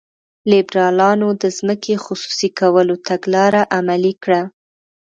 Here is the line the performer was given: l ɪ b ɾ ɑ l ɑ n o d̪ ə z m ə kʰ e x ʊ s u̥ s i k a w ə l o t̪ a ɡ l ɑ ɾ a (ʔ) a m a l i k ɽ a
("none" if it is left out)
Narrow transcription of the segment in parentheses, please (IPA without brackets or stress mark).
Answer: ʔ